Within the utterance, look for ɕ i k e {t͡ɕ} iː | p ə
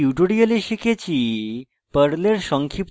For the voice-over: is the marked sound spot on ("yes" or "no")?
yes